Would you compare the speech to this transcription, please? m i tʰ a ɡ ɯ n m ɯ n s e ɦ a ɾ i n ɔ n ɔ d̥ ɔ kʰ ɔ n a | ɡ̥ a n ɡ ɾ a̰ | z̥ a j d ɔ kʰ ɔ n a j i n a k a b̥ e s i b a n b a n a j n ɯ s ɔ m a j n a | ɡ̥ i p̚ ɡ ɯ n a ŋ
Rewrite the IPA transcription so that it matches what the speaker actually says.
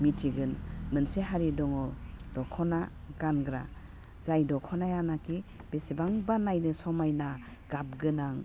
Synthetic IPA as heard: m i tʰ i ɡ ɯ n m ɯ n s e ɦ a ɾ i d ɔ ŋ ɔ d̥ ɔ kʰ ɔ n a | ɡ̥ a n ɡ ɾ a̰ | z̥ a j d ɔ kʰ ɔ n a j a n a k i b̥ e s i b a ŋ b a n a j n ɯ s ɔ m a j n a | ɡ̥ a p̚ ɡ ɯ n a ŋ